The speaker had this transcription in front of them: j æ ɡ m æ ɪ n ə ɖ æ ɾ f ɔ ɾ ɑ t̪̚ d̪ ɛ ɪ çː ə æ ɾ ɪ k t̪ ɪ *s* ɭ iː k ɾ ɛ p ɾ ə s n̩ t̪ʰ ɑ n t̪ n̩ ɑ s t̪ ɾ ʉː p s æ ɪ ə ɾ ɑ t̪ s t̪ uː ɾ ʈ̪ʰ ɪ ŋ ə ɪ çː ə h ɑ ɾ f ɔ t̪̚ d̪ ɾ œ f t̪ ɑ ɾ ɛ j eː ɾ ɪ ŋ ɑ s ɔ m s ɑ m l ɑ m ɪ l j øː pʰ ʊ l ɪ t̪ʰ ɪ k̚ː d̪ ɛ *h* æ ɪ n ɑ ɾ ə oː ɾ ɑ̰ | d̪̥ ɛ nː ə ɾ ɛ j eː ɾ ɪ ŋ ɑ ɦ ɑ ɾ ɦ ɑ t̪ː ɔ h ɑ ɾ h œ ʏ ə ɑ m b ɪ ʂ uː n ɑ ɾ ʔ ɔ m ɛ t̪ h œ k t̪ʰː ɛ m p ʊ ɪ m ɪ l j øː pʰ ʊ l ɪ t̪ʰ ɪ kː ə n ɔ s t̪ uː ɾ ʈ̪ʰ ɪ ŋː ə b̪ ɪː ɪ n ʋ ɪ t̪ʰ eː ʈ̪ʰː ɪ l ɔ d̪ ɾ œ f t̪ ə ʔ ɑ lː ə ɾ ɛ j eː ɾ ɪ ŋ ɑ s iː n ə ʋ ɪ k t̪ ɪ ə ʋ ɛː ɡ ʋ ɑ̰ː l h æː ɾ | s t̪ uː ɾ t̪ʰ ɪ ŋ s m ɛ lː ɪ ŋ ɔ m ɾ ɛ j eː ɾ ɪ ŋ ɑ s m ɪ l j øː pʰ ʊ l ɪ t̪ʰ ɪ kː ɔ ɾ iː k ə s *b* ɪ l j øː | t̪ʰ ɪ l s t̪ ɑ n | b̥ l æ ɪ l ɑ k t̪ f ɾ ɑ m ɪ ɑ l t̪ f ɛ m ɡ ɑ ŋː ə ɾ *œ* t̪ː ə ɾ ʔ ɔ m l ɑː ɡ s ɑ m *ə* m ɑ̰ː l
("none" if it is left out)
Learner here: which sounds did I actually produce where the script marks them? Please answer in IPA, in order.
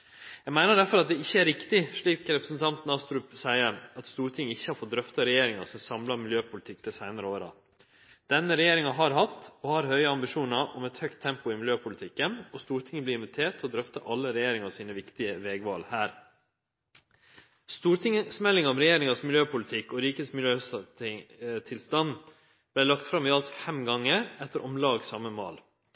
ʂ, s, m, ɛ, ə

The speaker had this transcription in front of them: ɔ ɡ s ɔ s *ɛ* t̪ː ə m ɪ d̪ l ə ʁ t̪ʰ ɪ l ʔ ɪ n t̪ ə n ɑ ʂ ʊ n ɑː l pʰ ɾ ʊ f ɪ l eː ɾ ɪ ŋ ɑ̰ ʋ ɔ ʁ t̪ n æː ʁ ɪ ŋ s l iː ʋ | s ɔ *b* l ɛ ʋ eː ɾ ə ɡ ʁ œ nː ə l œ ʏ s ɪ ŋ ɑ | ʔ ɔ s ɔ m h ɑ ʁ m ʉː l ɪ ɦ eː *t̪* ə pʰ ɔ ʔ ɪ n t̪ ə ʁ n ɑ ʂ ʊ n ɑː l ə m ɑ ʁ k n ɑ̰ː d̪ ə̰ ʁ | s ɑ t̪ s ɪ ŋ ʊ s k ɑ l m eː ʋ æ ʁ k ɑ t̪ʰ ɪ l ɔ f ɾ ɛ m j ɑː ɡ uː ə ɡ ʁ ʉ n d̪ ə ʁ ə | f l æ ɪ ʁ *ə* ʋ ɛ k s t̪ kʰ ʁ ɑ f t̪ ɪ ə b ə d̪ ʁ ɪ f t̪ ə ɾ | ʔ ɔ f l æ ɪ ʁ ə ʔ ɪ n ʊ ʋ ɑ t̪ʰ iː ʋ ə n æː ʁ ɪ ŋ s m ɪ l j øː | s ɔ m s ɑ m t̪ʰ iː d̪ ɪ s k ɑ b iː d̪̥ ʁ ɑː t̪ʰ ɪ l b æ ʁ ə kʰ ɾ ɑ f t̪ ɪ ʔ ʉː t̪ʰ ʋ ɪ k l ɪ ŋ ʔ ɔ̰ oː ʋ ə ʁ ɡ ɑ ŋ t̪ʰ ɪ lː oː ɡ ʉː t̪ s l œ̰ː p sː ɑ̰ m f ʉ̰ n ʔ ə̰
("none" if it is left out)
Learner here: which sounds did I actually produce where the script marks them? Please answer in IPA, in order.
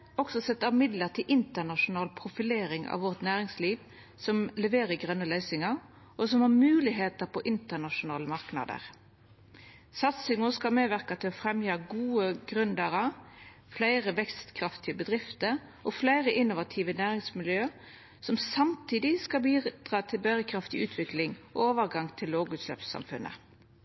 ɛ, m, t̪, ə

